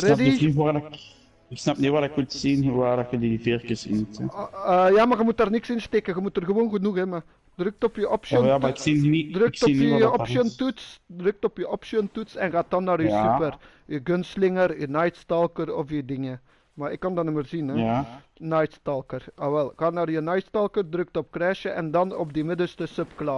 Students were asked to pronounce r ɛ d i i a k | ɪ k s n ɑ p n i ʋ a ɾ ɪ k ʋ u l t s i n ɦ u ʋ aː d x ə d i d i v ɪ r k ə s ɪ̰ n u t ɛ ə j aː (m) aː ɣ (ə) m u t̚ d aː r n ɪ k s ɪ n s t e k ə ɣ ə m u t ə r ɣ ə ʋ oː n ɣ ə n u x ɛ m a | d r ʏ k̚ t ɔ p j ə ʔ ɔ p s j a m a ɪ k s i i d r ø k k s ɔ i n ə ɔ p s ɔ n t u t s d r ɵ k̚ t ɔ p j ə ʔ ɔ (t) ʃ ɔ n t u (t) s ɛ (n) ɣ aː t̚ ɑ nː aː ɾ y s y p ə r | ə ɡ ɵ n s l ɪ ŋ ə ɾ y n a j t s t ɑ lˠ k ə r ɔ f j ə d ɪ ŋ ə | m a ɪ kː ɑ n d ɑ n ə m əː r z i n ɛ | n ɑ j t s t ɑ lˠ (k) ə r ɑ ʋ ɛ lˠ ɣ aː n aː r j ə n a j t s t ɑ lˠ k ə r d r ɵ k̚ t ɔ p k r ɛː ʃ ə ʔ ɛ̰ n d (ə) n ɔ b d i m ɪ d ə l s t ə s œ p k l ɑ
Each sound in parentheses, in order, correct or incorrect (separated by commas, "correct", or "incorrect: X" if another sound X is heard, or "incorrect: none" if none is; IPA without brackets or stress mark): correct, correct, incorrect: p, correct, correct, correct, incorrect: ɑ